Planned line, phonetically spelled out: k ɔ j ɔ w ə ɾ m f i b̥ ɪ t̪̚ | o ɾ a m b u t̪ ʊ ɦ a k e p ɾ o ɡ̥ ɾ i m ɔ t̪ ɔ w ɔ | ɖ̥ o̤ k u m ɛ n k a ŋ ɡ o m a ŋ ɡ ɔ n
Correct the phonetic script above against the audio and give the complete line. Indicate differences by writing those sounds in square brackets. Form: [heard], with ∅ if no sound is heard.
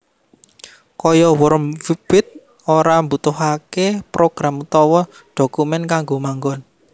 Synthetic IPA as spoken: k ɔ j ɔ w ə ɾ m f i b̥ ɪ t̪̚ | o ɾ a m b u t̪ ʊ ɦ a k e p ɾ o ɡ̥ ɾ [a] m [u] t̪ ɔ w ɔ | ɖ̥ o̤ k u m ɛ n k a ŋ ɡ o m a ŋ ɡ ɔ n